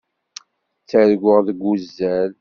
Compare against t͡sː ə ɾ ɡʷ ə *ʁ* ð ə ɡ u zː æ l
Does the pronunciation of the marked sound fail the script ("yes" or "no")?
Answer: no